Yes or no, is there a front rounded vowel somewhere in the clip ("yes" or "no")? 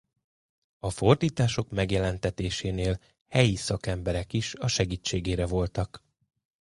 no